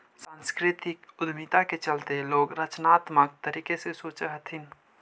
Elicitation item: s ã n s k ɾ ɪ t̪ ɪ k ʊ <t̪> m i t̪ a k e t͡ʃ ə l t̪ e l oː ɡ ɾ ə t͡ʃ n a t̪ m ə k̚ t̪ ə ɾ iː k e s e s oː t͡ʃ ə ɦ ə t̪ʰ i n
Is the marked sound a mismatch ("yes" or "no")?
yes